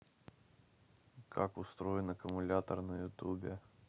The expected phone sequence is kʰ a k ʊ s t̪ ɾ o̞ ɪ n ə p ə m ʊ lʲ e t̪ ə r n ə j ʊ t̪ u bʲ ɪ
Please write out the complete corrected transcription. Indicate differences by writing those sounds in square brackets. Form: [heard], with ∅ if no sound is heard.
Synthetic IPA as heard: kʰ a k ʊ s t̪ ɾ o̞ ɪ n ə [k] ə m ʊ lʲ [a] t̪ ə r n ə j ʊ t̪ u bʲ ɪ